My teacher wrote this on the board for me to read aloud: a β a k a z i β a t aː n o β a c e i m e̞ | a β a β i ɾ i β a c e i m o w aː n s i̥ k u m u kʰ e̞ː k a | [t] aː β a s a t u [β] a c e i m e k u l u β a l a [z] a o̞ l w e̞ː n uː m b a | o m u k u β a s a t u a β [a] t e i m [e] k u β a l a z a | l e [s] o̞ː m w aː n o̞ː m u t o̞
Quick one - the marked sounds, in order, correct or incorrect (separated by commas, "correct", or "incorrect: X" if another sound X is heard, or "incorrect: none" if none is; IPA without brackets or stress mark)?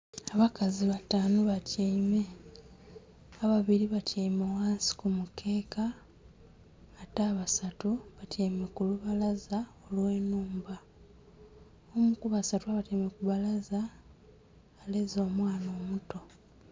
correct, correct, correct, correct, correct, incorrect: z